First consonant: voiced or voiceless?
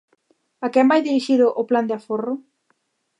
voiceless